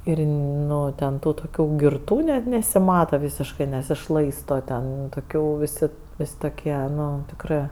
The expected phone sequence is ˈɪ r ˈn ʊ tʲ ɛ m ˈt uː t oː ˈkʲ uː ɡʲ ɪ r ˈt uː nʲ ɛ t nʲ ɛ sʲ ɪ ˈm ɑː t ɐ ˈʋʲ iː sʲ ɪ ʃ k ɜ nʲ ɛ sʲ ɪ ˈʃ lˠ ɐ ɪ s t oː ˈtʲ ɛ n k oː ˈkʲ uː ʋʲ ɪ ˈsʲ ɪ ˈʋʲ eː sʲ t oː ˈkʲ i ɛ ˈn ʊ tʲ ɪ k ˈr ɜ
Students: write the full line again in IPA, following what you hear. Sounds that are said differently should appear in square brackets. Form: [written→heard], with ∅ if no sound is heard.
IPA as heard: ˈɪ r ˈn ʊ tʲ ɛ [m→n] ˈt uː t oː ˈkʲ uː ɡʲ ɪ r ˈt uː nʲ ɛ t nʲ ɛ sʲ ɪ ˈm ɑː t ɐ ˈʋʲ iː sʲ ɪ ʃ k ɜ nʲ ɛ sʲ ɪ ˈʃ lˠ ɐ ɪ s t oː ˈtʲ ɛ n [k→t] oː ˈkʲ uː ʋʲ ɪ ˈsʲ ɪ ˈʋʲ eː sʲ t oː ˈkʲ i ɛ ˈn ʊ tʲ ɪ k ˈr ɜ